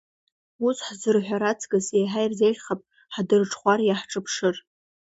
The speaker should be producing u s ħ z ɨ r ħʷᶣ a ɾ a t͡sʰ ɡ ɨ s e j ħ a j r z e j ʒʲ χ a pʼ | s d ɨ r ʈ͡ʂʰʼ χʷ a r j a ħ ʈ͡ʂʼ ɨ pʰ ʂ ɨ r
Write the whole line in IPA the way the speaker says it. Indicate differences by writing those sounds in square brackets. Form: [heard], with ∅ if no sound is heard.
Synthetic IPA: u s ħ z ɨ r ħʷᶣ a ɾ a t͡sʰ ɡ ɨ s e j ħ a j r z e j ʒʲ χ a pʼ | [ħ] d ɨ r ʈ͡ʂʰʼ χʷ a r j a ħ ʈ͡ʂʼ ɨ pʰ ʂ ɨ r